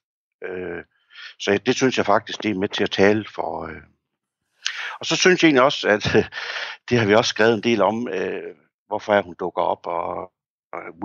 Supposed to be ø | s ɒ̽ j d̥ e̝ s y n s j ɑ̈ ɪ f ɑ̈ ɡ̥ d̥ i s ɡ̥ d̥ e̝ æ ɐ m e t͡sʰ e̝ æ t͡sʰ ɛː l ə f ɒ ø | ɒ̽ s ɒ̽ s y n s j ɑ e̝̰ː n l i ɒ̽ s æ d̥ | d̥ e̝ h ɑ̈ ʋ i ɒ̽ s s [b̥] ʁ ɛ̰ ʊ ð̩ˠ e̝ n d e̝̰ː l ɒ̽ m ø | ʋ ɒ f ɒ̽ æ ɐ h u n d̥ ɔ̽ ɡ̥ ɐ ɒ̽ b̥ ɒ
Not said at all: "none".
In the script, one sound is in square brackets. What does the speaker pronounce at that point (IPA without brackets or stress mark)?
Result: ɡ̥